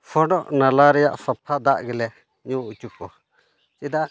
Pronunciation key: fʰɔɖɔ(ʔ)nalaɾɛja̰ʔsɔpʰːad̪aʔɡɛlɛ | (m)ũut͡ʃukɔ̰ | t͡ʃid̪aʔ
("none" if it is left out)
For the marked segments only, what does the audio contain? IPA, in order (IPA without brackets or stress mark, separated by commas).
ʔ, ɲ